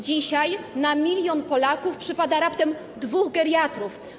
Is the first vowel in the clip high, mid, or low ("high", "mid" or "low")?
high